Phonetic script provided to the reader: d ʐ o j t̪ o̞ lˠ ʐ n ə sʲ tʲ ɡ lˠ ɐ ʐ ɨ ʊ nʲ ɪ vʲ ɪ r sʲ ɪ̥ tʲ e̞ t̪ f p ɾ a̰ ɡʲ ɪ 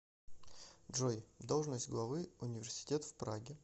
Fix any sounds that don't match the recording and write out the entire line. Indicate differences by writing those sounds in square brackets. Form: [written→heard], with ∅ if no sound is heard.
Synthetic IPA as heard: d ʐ o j [t̪→d̪] o̞ lˠ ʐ n ə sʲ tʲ ɡ lˠ ɐ [ʐ→v] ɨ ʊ nʲ ɪ vʲ ɪ r sʲ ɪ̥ tʲ e̞ t̪ f p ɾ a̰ ɡʲ ɪ